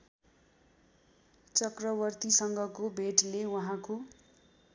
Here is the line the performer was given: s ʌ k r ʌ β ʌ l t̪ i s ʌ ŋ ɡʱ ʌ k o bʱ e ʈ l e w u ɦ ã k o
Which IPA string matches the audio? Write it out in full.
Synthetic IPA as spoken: t͡s ʌ k r ʌ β ʌ r t̪ i s ʌ ŋ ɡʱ ʌ k o bʱ e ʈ l e w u ɦ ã k o